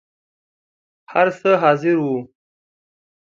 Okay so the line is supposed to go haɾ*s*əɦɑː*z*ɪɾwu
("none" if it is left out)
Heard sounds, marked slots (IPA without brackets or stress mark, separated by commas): s, z